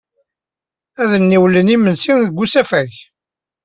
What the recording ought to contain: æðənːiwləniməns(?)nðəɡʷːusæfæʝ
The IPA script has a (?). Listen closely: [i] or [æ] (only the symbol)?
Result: i